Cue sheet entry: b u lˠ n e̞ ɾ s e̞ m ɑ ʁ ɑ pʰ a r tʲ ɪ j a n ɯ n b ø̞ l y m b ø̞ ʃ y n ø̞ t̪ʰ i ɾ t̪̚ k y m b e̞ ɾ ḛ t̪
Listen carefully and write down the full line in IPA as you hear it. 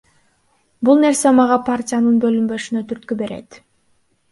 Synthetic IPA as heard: b u lˠ n e̞ ɾ s e̞ m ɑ ʁ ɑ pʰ a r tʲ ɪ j a n ɯ n b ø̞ l y m b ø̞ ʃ y n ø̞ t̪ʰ y ɾ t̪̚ k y b e̞ ɾ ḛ t̪